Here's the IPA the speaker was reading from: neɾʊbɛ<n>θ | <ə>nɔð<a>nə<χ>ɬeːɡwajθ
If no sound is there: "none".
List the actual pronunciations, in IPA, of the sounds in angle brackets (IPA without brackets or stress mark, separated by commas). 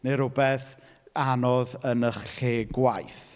none, a, ə, χ